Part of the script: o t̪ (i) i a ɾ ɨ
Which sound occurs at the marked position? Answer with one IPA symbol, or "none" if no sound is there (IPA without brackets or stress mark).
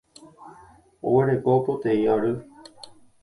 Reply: e